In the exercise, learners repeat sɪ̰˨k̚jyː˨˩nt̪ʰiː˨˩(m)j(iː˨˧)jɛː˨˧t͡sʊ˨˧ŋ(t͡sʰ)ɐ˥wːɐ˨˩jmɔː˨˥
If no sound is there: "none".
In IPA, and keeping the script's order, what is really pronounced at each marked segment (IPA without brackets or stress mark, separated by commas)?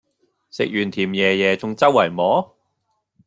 m, ɛː˨˧, t͡s